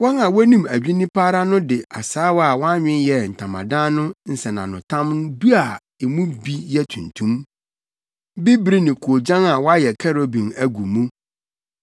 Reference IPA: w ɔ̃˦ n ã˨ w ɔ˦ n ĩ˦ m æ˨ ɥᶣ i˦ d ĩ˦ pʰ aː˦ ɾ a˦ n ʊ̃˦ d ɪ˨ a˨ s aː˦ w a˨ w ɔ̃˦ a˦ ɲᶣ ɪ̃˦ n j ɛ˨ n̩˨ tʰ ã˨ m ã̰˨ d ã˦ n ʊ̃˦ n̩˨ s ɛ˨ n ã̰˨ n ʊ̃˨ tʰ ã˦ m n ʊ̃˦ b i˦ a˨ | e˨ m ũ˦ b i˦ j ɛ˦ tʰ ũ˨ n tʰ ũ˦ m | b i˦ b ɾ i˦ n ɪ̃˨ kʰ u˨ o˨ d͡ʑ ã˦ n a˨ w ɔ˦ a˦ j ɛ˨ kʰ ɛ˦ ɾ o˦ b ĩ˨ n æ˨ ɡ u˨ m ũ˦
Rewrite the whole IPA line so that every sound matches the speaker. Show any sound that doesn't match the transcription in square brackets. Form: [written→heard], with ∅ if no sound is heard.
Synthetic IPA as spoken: w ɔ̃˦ n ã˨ w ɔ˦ n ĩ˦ m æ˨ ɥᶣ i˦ [d→n] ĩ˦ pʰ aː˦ ɾ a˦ n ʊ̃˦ d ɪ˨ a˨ s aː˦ w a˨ w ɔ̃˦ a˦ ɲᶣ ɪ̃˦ n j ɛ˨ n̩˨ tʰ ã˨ m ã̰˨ d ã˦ n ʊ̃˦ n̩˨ s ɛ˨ n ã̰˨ n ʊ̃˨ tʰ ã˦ m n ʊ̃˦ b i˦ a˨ | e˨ m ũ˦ b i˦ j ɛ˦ tʰ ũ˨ n tʰ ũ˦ m | b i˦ b ɾ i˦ n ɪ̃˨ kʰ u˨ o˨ d͡ʑ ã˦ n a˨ w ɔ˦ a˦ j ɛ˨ kʰ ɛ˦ ɾ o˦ b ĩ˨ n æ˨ ɡ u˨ m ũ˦